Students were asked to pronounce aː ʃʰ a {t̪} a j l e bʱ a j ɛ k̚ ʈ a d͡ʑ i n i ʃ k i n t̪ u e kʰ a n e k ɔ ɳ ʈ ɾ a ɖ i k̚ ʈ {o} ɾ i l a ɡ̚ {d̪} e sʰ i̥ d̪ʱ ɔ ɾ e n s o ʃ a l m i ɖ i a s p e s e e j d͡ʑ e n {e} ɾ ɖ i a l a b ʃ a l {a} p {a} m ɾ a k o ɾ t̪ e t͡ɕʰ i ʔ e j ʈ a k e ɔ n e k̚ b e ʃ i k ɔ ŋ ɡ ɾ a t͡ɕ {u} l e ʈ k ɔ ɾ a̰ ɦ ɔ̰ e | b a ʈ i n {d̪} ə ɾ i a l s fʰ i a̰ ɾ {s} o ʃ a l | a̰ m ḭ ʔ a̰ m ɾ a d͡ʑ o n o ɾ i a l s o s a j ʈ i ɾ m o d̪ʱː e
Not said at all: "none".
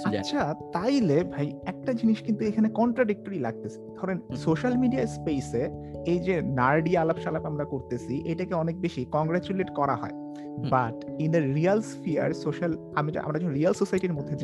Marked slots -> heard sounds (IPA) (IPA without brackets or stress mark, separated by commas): t̪, o, t̪, a, a, a, u, d̪, s